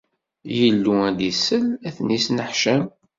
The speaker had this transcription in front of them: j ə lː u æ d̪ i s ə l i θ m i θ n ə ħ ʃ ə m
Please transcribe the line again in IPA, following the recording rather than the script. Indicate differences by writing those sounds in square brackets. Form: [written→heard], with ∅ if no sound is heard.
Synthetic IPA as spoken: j ə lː u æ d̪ i s ə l [i→æ] θ [m→n] i [θ→s] n ə ħ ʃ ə m